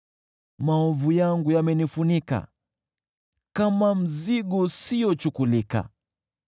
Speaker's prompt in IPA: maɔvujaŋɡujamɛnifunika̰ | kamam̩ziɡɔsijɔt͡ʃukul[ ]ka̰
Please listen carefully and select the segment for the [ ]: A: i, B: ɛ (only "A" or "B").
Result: A